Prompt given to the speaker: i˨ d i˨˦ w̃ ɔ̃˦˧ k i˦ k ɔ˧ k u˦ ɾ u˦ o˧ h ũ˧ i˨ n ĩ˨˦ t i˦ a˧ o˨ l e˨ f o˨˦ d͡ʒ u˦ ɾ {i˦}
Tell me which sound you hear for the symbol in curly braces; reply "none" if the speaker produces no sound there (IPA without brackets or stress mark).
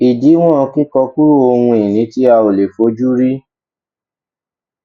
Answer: i˦